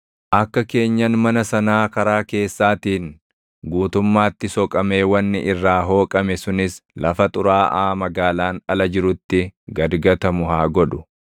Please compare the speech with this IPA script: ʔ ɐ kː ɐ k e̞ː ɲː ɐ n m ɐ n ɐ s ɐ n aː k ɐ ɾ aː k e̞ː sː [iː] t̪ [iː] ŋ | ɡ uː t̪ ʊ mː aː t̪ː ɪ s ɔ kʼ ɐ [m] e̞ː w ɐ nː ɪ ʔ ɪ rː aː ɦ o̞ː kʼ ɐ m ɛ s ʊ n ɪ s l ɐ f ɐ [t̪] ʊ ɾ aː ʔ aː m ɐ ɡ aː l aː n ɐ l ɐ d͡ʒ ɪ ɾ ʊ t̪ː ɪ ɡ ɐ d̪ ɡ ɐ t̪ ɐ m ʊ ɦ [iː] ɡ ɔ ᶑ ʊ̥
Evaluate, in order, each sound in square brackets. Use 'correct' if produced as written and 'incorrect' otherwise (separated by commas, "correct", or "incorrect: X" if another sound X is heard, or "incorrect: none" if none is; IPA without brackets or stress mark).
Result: incorrect: aː, correct, correct, incorrect: t̪ʼ, incorrect: aː